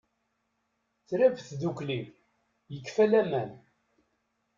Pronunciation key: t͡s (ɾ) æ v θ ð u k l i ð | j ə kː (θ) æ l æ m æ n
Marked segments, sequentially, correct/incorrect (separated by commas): correct, incorrect